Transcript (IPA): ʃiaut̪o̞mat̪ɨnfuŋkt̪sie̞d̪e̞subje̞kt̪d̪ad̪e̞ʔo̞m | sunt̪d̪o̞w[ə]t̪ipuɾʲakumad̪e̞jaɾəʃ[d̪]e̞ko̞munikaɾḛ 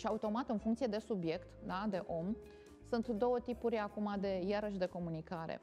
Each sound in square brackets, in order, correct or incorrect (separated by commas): correct, correct